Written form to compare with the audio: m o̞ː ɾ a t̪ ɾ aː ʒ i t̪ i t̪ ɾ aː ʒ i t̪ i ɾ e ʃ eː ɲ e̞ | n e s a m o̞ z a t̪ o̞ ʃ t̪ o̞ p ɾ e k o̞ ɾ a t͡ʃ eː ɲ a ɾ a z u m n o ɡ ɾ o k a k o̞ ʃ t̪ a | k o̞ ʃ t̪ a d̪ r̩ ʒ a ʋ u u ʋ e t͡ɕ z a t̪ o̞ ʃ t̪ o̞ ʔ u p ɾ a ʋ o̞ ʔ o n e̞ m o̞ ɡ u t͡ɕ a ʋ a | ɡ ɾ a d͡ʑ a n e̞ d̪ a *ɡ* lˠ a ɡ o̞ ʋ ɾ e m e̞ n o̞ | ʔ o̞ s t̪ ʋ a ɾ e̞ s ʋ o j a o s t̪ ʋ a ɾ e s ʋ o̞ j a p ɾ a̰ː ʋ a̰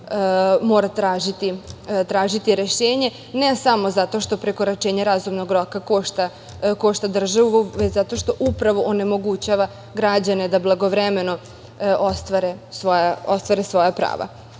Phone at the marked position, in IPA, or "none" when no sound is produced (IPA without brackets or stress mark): b